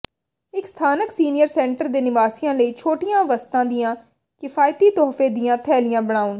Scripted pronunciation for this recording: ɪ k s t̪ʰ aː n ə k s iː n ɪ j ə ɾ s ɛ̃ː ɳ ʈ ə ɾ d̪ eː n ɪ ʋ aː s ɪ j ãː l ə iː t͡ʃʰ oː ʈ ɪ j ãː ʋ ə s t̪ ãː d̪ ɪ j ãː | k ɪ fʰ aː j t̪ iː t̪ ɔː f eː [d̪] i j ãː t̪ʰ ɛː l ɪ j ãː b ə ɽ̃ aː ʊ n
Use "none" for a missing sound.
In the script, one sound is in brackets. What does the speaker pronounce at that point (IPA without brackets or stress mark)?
d̪